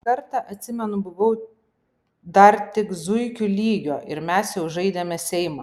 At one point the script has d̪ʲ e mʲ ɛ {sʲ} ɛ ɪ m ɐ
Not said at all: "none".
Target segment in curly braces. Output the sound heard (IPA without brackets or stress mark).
sʲ